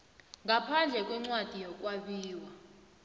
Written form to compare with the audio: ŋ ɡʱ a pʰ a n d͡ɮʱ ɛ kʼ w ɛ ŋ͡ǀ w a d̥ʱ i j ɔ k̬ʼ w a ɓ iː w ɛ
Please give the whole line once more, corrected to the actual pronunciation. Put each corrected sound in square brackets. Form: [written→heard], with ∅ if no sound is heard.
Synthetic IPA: ŋ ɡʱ a pʰ a n d͡ɮʱ ɛ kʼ w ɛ ŋ͡ǀ w a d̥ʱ i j ɔ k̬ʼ w a ɓ iː w [ɛ→a]